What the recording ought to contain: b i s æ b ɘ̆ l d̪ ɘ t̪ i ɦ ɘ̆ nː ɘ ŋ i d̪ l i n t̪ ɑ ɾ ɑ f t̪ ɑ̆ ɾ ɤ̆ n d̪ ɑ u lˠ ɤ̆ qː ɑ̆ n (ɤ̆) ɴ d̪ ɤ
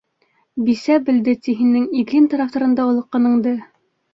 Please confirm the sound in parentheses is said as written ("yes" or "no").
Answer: yes